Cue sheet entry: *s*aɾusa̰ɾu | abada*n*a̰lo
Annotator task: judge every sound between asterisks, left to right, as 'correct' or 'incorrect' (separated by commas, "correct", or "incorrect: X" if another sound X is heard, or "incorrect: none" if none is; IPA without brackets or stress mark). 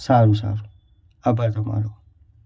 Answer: correct, incorrect: m